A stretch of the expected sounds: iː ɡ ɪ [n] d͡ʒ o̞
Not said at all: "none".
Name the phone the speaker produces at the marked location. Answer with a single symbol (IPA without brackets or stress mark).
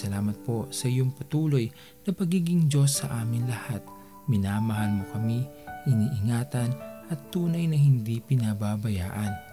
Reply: ŋ